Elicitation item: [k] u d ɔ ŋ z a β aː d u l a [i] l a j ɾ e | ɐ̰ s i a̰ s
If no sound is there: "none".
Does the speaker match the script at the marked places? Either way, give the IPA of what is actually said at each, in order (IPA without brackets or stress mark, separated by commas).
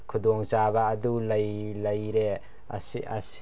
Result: kʰ, j